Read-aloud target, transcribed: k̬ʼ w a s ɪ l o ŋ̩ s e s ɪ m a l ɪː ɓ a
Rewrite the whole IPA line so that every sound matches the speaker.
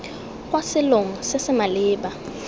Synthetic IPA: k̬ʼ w a s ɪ l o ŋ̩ s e s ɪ m a l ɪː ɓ a